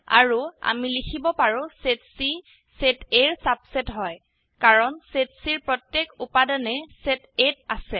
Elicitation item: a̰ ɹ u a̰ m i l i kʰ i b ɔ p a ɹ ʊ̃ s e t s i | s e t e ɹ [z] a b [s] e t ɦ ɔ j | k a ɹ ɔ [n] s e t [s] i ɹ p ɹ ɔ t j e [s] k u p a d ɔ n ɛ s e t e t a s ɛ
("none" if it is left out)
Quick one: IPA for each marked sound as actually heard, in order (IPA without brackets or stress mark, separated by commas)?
s, s, n, s, none